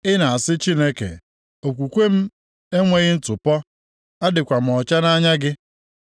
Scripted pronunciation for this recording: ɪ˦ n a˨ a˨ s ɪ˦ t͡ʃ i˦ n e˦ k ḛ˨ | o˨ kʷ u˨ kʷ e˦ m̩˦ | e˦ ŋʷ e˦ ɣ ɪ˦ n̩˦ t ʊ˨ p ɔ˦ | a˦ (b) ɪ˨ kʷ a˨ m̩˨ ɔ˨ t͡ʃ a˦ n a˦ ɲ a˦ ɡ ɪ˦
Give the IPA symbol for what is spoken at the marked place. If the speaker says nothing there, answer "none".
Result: d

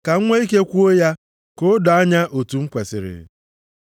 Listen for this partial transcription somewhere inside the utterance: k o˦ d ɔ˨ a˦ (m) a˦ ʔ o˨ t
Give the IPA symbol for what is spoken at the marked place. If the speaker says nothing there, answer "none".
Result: ɲ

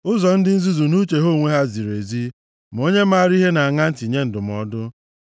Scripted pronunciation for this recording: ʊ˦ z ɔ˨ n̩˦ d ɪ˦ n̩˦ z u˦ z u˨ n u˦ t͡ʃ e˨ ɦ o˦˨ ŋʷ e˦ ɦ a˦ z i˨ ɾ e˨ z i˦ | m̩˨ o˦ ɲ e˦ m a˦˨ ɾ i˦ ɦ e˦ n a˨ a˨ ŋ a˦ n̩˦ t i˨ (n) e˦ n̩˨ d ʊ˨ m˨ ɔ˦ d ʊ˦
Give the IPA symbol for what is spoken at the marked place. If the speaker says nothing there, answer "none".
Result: ɲ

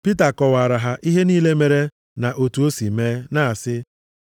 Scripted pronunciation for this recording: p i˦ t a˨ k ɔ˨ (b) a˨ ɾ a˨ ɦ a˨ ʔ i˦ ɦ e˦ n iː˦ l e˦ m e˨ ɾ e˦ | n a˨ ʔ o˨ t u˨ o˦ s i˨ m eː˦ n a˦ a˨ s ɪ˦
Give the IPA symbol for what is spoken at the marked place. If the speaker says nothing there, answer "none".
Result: w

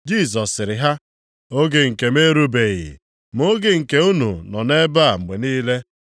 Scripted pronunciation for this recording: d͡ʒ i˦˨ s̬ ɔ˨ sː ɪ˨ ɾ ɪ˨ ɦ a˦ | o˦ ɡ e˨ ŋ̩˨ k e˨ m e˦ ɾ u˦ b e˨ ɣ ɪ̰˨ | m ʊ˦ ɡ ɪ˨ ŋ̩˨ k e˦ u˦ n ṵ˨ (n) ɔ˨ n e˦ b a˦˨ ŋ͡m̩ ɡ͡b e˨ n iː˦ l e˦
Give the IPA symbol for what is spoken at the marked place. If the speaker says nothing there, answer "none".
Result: n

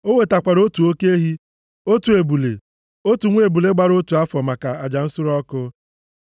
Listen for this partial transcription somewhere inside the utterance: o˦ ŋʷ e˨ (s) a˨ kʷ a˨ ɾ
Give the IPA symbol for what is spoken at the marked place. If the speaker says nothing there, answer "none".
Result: t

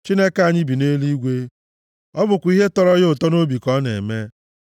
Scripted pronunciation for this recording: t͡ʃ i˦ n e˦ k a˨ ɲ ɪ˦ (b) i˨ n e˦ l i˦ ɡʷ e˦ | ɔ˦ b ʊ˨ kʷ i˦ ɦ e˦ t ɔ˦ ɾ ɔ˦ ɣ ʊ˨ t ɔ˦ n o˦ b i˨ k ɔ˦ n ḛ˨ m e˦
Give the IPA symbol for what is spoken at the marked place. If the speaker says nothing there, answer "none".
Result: b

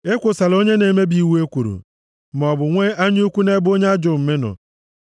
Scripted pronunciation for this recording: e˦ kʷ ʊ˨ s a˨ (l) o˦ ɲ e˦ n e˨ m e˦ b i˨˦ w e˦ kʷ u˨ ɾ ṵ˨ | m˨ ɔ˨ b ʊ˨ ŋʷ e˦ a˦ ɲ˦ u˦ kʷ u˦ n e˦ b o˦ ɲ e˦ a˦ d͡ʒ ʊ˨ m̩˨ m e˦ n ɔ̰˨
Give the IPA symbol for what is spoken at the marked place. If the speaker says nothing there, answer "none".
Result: l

